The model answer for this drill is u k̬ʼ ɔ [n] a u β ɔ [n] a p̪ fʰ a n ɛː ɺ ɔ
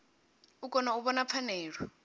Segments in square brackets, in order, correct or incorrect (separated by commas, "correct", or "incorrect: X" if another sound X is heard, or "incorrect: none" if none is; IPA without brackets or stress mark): correct, correct